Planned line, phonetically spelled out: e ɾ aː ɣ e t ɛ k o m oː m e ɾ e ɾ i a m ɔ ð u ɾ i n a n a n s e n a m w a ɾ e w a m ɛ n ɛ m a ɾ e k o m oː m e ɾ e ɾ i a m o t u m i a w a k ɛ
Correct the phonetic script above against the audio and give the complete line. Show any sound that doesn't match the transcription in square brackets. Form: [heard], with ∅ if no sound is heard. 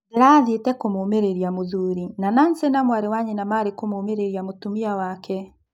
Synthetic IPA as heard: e ɾ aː [ð] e t ɛ k o m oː m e ɾ e ɾ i a m [o] ð u ɾ i n a n a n s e n a m w a ɾ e w a [ɲ] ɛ n [a] m a ɾ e k o m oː m e ɾ e ɾ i a m o t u m i a w a k ɛ